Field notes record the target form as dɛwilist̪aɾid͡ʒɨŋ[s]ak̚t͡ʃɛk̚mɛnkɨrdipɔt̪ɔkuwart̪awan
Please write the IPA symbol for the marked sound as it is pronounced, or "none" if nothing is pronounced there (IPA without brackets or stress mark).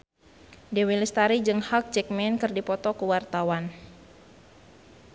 h